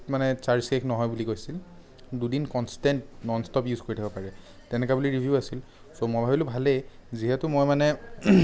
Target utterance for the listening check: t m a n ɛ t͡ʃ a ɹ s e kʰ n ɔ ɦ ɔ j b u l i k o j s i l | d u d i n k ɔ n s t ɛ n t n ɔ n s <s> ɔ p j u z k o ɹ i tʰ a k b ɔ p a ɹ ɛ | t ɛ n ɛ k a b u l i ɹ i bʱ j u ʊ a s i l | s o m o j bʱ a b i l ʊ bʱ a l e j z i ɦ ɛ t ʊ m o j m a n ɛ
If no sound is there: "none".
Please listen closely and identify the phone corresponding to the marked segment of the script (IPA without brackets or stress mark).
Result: t